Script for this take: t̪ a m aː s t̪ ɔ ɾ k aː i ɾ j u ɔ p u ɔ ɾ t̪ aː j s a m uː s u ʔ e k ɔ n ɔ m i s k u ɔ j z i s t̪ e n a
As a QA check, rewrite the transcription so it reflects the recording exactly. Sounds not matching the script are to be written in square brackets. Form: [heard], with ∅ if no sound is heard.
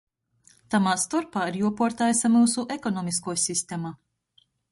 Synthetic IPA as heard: t̪ a m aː s t̪ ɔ ɾ [p] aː i ɾ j u ɔ p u ɔ ɾ t̪ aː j s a m uː s u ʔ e k ɔ n ɔ m i s k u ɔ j [s] i s t̪ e [m] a